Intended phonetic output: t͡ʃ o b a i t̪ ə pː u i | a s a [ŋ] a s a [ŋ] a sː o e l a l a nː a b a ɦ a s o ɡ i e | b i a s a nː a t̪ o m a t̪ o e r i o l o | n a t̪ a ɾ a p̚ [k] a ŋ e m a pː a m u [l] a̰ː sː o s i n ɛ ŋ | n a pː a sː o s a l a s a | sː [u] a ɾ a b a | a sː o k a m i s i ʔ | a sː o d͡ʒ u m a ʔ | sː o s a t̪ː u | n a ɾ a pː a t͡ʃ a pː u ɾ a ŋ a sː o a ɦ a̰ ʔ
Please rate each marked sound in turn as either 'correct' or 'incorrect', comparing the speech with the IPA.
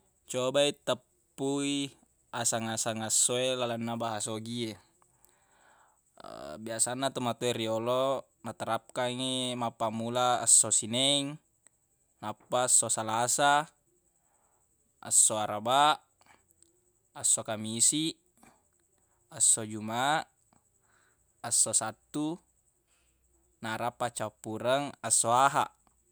correct, correct, correct, correct, incorrect

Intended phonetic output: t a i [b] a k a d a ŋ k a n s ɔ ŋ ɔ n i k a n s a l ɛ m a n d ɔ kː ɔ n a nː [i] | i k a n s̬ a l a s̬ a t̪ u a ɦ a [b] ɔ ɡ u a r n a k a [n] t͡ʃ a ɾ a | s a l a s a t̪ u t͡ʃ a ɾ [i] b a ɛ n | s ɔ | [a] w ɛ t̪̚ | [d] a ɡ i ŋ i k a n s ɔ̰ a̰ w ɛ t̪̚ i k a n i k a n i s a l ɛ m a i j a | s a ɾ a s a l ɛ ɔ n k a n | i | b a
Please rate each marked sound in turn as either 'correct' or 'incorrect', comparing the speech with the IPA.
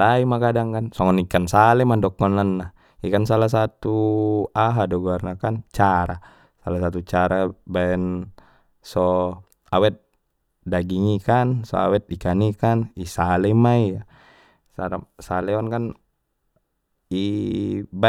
incorrect, incorrect, incorrect, correct, incorrect, correct, correct

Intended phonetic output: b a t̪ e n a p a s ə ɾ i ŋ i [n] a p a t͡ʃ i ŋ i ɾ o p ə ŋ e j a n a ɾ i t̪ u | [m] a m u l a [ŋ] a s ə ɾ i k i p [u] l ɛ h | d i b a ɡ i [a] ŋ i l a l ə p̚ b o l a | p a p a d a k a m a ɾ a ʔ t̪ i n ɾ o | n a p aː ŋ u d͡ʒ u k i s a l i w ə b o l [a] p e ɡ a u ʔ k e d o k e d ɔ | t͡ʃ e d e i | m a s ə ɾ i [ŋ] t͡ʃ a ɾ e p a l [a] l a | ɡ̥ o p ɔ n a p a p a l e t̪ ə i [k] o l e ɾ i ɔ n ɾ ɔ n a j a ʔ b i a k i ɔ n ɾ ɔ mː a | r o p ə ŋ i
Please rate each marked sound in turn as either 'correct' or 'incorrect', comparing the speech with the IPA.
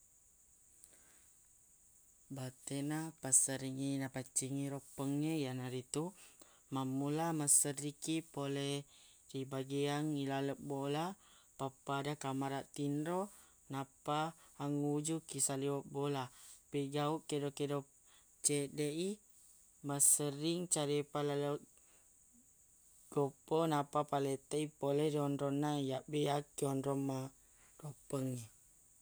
correct, correct, incorrect, incorrect, correct, correct, correct, correct, incorrect

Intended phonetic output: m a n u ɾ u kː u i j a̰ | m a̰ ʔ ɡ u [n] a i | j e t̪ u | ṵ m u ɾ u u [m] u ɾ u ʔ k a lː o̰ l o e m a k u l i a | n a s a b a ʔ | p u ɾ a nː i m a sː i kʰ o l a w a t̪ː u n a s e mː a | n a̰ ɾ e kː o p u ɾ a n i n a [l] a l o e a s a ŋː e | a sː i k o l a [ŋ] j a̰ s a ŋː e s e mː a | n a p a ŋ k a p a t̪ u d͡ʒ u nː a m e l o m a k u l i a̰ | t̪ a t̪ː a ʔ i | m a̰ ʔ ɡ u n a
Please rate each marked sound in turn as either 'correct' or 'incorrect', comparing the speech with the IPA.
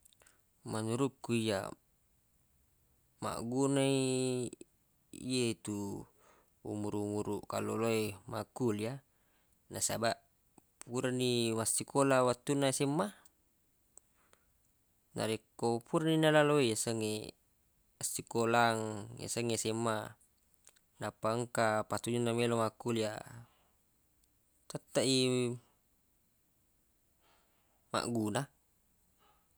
correct, correct, correct, correct

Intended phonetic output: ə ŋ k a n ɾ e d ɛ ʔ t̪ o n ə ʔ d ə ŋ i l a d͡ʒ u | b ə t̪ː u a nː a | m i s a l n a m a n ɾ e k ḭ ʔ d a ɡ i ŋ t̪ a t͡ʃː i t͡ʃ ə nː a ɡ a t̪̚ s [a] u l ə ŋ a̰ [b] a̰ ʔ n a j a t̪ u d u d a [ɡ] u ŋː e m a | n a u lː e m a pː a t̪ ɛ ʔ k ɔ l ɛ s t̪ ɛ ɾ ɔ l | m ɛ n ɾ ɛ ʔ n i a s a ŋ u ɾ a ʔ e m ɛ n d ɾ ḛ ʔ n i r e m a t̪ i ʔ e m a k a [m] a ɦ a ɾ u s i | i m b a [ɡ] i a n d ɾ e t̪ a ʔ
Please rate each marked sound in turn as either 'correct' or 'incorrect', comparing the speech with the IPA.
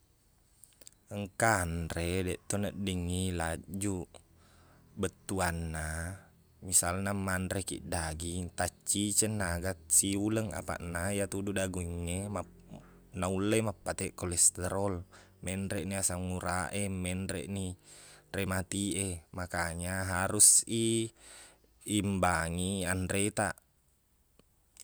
incorrect, incorrect, correct, incorrect, incorrect

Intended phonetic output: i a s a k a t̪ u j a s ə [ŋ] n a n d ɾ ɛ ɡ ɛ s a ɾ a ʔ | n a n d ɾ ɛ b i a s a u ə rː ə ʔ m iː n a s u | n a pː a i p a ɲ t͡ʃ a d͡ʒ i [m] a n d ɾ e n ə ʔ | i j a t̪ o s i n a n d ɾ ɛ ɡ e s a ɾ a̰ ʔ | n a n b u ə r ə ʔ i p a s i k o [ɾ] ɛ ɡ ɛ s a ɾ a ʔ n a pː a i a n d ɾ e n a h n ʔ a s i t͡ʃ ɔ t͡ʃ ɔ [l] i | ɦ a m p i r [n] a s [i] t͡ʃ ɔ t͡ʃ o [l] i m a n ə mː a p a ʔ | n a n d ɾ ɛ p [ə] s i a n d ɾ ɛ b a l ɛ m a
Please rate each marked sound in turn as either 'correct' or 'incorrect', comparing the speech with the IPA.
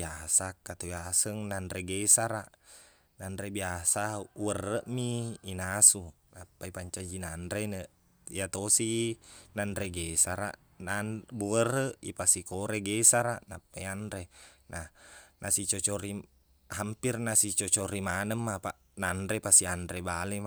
correct, incorrect, correct, incorrect, correct, correct, incorrect, incorrect

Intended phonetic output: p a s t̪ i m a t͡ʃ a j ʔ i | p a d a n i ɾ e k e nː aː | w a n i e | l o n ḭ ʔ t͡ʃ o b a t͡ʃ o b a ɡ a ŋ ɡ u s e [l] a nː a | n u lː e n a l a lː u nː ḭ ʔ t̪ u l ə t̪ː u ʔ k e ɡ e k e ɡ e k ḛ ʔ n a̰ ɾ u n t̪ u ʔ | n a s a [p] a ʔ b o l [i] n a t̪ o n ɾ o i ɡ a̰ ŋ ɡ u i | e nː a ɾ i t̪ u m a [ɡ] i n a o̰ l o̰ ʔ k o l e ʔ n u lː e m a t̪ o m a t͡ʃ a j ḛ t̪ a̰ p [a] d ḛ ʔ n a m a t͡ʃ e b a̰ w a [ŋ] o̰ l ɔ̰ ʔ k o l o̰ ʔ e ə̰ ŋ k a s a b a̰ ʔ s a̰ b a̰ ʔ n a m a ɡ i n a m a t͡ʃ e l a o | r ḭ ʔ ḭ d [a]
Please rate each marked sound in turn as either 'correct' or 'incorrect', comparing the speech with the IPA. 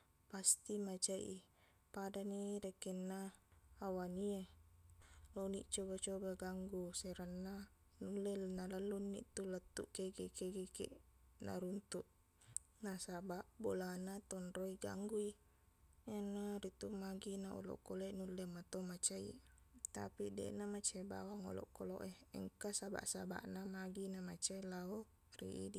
incorrect, incorrect, incorrect, correct, incorrect, correct, incorrect

